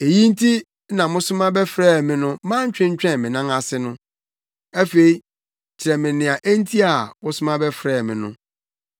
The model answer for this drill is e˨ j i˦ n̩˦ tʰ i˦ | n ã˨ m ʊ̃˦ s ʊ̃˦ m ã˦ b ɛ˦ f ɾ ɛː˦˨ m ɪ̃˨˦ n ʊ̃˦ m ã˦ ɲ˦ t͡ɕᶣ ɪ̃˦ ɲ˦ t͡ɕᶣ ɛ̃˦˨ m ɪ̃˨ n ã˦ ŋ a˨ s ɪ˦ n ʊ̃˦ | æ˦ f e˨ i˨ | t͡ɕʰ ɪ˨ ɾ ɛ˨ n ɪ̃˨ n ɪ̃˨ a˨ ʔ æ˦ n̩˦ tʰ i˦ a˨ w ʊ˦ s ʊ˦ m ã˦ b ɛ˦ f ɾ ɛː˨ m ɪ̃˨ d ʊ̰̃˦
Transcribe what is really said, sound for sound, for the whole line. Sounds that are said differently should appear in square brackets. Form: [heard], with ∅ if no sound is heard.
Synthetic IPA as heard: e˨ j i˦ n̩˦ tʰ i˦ | n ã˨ m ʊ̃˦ s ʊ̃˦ m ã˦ b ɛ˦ f ɾ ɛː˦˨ m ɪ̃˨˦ n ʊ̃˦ m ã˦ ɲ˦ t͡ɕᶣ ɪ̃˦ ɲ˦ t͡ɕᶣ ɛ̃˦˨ m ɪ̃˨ n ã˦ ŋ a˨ s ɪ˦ n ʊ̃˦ | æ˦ f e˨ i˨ | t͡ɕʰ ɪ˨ ɾ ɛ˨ [m] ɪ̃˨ n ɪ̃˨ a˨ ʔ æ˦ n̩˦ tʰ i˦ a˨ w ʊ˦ s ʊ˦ m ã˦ b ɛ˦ f ɾ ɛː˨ m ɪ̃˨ [n] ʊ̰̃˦